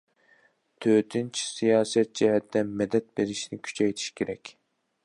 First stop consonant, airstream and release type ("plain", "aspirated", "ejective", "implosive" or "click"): aspirated